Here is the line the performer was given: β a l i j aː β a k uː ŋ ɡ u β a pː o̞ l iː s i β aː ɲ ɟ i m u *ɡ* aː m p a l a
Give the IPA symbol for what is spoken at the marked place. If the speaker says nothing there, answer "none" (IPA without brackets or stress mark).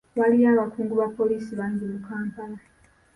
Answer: k